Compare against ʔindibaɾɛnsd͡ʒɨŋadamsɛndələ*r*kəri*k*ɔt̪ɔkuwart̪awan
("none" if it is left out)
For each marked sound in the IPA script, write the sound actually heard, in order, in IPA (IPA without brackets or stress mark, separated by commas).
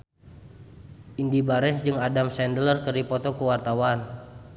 r, p